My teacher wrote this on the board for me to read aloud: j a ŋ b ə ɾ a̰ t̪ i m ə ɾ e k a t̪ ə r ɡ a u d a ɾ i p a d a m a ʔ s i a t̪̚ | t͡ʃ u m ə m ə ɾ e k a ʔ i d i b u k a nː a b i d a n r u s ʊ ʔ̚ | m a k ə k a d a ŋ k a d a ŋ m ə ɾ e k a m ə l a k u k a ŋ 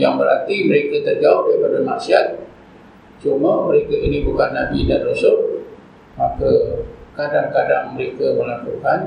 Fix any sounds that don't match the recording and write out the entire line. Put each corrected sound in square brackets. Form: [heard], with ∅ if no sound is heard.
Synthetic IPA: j a ŋ b ə ɾ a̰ t̪ i m ə ɾ e k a t̪ ə r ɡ a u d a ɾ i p a d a m a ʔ s i a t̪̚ | t͡ʃ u m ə m ə ɾ e k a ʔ i [n] i b u k a nː a b i d a n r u s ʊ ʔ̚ | m a k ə k a d a ŋ k a d a ŋ m ə ɾ e k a m ə l a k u k a [n]